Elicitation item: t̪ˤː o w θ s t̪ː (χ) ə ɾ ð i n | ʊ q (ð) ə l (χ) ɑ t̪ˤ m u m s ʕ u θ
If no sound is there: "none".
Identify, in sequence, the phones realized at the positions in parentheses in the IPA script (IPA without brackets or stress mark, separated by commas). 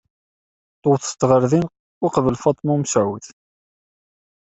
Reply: ʁ, v, f